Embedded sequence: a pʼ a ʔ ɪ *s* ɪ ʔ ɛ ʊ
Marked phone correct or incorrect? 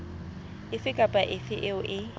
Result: incorrect: f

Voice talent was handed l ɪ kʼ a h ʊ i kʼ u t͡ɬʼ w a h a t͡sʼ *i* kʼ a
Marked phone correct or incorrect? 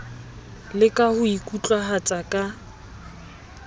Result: incorrect: a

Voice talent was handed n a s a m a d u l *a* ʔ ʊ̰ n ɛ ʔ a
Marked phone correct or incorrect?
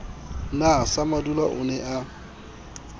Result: correct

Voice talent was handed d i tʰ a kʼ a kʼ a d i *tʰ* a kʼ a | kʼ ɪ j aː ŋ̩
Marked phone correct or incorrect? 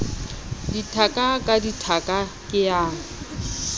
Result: correct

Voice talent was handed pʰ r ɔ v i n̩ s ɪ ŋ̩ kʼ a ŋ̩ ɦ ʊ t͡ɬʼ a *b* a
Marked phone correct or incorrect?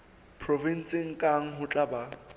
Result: correct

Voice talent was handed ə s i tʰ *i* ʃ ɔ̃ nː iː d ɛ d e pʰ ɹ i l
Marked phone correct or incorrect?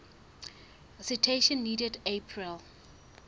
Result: incorrect: e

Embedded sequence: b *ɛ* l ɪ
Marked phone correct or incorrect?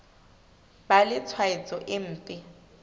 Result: incorrect: a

